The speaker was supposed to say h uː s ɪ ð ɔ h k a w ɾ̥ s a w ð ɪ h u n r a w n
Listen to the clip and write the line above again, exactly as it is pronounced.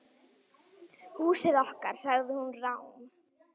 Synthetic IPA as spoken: h uː s ɪ ð ɔ h k a ɾ̥ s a ɣ ð ɪ h u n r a w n